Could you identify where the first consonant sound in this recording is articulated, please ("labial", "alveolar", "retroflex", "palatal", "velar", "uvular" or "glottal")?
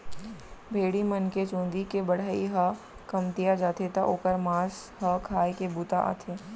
labial